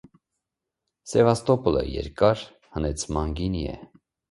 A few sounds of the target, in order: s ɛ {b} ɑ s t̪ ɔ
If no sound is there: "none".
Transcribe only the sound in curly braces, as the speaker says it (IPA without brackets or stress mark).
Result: v